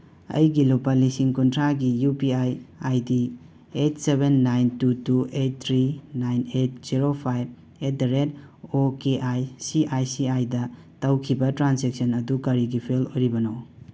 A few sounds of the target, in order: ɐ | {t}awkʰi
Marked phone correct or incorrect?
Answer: correct